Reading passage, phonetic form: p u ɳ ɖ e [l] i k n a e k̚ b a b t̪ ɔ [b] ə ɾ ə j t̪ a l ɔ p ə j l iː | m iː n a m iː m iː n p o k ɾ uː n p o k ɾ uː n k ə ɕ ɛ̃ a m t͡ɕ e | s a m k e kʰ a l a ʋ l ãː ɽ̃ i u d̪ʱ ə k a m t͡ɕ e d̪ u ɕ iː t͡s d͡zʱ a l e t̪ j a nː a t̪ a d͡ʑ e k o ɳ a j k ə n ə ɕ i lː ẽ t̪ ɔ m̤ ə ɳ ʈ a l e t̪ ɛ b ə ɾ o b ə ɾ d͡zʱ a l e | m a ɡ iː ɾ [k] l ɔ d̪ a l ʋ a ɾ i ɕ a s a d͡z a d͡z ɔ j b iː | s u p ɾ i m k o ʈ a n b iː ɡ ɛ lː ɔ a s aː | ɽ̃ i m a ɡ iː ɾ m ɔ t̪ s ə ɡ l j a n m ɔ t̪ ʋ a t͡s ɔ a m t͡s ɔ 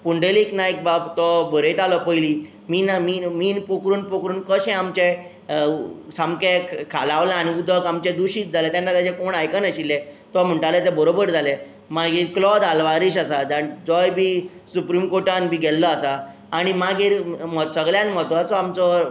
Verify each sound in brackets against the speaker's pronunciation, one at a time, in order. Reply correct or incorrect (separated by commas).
correct, correct, correct